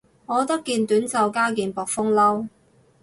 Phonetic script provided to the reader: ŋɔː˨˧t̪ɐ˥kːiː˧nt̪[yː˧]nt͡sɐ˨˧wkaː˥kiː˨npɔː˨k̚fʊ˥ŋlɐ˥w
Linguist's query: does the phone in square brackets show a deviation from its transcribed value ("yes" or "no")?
yes